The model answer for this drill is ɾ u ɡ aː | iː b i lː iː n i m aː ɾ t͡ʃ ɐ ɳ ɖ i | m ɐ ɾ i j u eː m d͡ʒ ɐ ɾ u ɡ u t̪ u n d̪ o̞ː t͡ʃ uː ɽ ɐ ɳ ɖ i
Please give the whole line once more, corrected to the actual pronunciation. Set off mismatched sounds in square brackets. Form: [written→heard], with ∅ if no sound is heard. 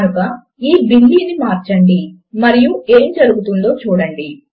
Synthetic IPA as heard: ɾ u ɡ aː | iː b i lː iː n i m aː ɾ t͡ʃ ɐ ɳ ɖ i | m ɐ ɾ i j u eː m d͡ʒ ɐ ɾ u ɡ u t̪ u n d̪ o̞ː t͡ʃ uː ɽ ɐ ɳ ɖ i